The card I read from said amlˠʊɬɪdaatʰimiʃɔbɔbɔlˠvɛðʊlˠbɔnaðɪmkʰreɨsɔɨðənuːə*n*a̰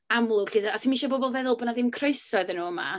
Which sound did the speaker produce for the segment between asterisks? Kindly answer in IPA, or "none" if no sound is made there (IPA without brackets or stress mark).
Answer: m